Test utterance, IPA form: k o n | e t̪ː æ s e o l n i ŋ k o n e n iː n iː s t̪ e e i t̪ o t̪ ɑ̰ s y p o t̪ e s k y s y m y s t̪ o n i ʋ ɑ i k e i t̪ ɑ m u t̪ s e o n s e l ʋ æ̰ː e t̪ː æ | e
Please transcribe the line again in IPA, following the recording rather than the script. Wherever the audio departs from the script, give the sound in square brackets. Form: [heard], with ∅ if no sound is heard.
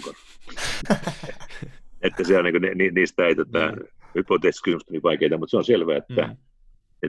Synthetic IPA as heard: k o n | e t̪ː æ s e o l n i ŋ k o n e n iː n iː s t̪ [æ] e i t̪ o t̪ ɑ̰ [h] y p o t̪ e s k y s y m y s t̪ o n i ʋ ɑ i k e i t̪ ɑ m u t̪ s e o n s e l ʋ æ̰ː e t̪ː æ | e